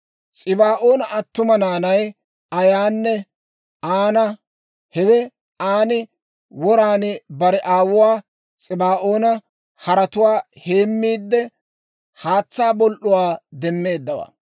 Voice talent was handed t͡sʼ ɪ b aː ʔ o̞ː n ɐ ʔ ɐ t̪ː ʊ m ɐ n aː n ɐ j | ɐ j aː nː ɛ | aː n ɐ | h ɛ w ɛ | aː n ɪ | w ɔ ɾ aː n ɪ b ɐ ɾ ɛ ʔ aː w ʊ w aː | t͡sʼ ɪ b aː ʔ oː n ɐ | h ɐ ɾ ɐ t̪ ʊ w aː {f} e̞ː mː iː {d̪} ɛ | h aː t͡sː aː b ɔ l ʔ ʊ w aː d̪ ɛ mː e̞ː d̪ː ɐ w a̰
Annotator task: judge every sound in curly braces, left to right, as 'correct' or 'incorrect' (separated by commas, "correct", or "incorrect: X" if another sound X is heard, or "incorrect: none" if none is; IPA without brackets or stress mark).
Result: incorrect: h, incorrect: d̪ː